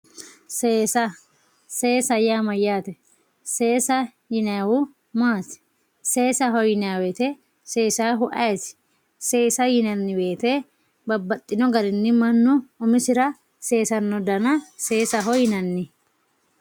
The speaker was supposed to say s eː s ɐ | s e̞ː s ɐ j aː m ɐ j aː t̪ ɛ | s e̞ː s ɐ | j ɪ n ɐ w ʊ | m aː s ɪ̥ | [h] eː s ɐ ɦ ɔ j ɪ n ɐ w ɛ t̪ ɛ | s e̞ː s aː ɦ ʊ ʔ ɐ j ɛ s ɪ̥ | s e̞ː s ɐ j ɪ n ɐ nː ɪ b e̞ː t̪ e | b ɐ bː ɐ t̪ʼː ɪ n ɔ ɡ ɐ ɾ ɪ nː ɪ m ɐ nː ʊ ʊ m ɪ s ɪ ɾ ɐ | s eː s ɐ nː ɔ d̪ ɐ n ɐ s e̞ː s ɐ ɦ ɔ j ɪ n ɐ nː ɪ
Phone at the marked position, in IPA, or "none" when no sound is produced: s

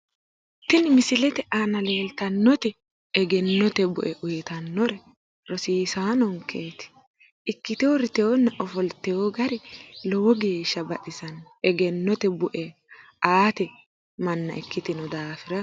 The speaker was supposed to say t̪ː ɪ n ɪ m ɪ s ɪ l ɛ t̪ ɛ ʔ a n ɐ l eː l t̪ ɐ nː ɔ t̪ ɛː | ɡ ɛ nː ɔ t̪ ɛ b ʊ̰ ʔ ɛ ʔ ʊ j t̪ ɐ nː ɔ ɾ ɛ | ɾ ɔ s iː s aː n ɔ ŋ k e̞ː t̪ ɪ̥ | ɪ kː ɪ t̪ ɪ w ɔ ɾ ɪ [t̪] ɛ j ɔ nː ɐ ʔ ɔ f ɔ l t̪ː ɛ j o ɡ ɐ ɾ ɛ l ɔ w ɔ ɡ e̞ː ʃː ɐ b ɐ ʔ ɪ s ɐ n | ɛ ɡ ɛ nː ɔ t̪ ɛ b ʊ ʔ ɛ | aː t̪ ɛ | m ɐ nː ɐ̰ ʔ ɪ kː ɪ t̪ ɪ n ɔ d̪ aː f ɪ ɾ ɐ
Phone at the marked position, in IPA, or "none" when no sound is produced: t̪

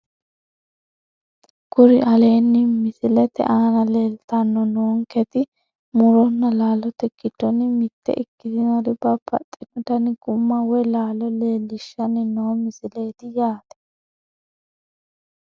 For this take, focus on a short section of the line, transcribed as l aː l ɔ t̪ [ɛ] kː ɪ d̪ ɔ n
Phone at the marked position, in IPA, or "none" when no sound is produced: ɛ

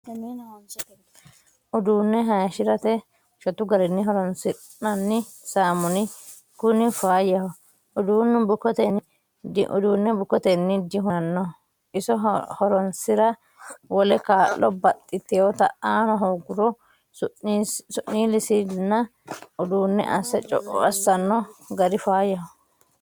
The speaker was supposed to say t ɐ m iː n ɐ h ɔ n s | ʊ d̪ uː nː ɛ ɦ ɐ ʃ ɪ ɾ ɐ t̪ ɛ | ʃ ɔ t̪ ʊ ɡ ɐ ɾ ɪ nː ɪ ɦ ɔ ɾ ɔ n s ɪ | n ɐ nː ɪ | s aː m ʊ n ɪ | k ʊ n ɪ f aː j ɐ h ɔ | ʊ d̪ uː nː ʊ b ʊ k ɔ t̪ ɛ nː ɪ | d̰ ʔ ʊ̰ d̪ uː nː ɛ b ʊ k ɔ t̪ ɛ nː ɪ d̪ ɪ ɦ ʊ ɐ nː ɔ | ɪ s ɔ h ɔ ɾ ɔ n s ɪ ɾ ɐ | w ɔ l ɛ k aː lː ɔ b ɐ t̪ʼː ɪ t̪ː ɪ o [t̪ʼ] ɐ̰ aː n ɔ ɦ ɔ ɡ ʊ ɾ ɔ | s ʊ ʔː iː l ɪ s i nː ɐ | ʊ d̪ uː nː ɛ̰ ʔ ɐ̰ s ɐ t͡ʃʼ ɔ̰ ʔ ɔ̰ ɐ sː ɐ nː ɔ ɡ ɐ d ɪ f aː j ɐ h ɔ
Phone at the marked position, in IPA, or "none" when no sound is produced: t̪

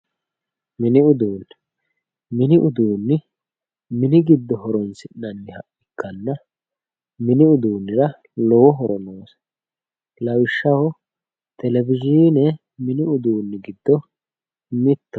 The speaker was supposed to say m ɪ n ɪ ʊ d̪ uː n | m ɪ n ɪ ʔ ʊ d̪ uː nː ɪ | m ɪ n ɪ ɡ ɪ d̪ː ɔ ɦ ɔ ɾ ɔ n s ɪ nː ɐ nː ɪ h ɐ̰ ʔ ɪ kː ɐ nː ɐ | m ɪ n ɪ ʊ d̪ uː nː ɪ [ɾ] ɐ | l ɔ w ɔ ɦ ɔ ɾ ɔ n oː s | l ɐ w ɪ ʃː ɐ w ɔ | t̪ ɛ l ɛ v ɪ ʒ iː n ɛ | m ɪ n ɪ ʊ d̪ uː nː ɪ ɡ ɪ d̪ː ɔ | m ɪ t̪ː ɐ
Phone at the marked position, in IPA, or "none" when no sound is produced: ɾ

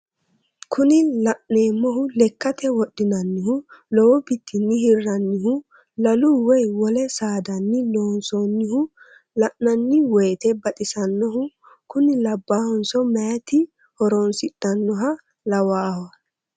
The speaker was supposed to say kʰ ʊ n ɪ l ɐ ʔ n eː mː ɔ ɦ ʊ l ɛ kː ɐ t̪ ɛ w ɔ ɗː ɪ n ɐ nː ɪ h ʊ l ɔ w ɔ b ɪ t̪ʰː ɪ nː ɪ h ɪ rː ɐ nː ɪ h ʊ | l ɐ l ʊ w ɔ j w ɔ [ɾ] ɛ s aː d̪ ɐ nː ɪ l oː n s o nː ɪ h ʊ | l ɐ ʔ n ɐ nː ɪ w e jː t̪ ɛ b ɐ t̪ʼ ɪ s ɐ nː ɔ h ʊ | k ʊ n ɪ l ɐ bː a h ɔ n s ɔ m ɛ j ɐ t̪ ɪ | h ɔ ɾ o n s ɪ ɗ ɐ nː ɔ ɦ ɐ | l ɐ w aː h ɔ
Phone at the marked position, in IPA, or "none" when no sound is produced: l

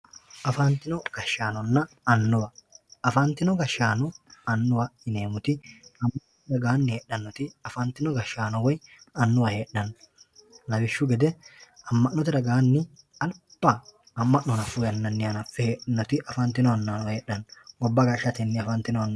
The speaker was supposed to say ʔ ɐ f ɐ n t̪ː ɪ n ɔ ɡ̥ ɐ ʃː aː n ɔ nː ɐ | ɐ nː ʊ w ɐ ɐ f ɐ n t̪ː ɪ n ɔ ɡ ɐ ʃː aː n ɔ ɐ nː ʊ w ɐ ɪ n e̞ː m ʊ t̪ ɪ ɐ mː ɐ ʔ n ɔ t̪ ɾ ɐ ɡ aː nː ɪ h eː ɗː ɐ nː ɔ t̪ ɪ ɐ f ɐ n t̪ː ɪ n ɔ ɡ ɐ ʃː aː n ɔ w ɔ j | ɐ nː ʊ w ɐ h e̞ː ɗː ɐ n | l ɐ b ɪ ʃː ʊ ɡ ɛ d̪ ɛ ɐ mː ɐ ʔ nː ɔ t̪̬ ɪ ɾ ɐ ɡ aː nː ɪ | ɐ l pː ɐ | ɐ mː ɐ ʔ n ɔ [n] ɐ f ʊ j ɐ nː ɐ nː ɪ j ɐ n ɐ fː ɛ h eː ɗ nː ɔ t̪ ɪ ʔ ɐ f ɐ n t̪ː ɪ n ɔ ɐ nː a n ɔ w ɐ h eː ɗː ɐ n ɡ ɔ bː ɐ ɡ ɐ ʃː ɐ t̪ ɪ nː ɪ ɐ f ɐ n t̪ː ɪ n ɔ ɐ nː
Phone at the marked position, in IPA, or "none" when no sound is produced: n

